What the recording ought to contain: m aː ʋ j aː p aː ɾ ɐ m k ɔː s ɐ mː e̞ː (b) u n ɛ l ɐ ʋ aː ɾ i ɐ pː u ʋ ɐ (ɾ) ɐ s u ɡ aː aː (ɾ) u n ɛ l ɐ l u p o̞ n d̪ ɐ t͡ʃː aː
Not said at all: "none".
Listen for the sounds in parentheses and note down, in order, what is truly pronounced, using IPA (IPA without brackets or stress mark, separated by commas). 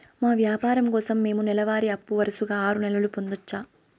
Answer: m, ɾ, ɾ